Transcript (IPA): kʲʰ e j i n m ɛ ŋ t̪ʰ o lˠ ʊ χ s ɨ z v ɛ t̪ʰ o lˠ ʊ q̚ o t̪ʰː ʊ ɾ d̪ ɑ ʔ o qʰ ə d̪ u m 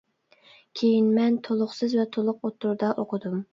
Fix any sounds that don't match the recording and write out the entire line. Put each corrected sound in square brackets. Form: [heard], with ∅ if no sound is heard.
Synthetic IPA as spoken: kʲʰ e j i n m ɛ [n] t̪ʰ o lˠ ʊ χ s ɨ z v ɛ t̪ʰ o lˠ ʊ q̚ o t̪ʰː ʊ ɾ d̪ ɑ ʔ o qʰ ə d̪ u m